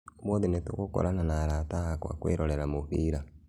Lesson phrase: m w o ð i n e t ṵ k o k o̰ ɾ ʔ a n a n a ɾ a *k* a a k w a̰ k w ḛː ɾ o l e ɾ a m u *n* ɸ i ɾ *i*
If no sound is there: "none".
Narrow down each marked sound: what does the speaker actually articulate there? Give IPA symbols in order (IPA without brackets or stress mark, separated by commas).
t, none, a